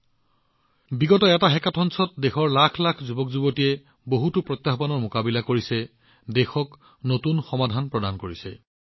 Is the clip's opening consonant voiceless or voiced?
voiced